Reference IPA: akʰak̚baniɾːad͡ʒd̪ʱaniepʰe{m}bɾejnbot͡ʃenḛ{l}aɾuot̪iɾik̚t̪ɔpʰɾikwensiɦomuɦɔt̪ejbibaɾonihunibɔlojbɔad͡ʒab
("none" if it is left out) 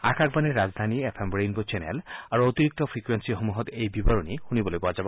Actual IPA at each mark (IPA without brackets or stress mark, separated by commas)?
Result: m, l